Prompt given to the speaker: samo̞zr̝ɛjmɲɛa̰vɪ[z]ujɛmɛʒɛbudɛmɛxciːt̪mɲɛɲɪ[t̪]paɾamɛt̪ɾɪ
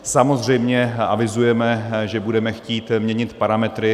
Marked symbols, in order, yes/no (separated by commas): yes, yes